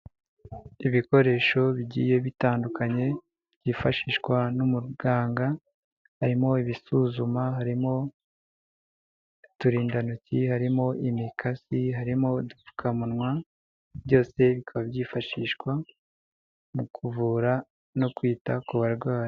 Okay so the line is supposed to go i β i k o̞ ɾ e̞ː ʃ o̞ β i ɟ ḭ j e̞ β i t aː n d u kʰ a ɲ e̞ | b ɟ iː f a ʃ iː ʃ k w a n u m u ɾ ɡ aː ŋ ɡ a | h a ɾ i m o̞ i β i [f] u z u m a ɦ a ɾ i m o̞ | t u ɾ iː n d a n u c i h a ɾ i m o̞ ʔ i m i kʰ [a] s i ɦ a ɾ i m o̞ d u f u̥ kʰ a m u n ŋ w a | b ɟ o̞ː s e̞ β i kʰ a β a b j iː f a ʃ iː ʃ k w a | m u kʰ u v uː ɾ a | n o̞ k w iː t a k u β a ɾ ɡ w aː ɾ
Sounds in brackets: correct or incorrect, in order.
incorrect: s, correct

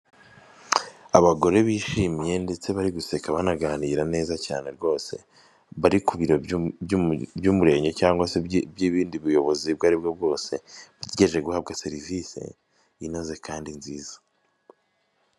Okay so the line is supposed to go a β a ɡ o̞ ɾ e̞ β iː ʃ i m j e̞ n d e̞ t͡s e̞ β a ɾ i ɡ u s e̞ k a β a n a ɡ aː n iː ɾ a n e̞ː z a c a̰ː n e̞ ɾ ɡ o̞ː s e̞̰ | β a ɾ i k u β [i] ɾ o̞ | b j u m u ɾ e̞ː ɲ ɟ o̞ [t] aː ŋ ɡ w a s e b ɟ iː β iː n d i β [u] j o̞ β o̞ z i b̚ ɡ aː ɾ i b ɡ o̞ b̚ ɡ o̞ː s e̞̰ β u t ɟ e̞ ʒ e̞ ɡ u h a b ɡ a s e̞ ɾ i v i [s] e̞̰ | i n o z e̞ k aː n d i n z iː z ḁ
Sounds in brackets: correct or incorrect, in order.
correct, incorrect: c, correct, correct

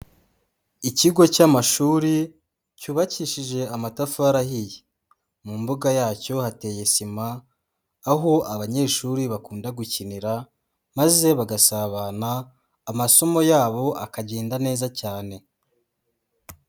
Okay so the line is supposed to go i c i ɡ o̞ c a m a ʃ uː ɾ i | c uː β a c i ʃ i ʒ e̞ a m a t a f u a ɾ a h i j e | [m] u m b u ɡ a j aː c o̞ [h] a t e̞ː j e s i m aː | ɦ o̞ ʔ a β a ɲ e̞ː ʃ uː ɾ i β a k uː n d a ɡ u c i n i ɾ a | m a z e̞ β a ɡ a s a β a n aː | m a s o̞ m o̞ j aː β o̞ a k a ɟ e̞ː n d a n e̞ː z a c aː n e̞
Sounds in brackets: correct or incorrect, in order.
correct, correct

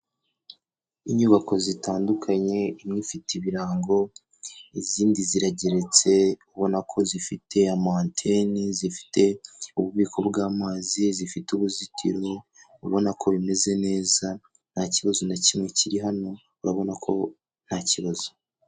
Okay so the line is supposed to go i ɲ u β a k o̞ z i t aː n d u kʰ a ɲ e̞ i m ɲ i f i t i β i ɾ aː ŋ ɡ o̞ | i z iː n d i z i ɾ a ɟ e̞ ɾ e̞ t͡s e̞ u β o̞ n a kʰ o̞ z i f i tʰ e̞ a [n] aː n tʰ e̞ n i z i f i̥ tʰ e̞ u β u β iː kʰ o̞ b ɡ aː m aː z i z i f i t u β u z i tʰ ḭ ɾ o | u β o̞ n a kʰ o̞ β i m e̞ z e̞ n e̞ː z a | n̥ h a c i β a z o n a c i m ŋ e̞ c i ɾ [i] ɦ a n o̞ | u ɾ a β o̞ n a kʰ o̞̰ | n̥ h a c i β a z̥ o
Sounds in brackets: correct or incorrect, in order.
incorrect: m, correct

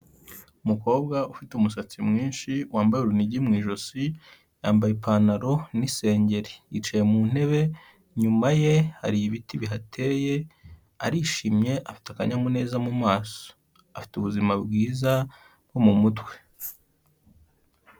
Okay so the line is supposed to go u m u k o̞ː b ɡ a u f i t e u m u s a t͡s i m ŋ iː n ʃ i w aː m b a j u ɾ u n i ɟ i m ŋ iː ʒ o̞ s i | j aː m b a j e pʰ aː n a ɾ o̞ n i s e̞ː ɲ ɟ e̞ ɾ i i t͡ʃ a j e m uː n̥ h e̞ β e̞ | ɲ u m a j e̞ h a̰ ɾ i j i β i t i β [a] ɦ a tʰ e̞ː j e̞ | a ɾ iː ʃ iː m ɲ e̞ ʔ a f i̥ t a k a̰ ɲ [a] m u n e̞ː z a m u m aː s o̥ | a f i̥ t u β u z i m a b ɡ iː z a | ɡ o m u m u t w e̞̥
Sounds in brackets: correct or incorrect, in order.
incorrect: i, correct

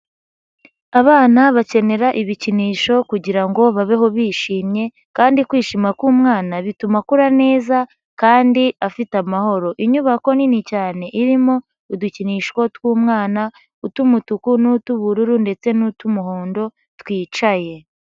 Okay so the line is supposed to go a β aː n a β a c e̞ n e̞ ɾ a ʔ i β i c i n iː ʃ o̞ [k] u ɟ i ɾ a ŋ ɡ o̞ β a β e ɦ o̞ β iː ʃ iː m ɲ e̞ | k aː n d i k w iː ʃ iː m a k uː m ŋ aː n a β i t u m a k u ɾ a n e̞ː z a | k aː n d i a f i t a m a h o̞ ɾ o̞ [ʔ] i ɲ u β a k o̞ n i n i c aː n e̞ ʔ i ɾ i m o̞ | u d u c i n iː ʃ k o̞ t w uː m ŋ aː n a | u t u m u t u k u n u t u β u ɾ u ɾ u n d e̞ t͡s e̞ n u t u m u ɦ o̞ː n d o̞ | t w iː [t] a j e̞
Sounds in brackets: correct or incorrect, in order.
correct, correct, incorrect: t͡ʃ

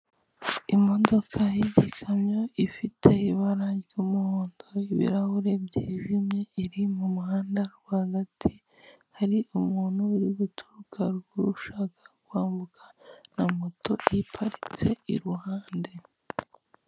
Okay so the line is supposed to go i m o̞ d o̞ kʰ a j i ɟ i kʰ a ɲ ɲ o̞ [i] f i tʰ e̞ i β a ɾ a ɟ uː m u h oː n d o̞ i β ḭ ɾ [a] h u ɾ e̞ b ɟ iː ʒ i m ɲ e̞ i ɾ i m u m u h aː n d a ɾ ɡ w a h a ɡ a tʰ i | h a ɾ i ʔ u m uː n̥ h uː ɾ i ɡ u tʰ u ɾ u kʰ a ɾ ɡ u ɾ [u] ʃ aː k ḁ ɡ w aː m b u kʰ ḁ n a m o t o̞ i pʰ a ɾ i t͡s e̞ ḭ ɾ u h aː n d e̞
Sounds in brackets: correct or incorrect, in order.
correct, correct, correct

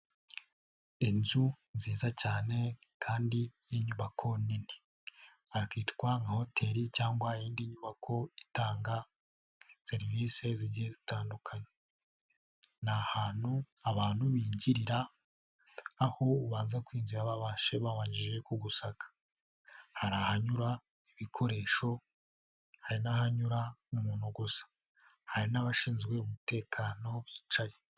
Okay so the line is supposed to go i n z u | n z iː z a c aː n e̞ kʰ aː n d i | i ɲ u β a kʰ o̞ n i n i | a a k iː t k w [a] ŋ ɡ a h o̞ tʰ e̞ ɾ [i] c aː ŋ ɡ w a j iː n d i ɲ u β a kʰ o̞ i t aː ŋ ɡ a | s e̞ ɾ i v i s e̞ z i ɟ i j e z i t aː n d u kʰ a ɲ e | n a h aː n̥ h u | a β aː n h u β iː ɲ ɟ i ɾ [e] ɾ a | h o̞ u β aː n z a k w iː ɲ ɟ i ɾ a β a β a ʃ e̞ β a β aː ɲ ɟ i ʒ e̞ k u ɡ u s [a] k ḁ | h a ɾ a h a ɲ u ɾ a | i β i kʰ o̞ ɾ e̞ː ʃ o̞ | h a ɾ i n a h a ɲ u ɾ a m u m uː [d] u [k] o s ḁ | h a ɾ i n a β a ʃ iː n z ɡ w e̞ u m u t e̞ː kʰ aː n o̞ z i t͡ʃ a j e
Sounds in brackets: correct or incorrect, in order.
correct, correct, incorrect: i, correct, incorrect: n, incorrect: ɡ

